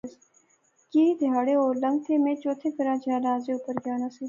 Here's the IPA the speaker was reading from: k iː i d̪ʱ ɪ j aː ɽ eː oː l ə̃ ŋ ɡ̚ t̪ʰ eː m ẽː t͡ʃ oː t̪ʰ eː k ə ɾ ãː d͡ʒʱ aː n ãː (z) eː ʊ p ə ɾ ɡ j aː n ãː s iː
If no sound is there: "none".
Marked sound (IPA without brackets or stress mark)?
z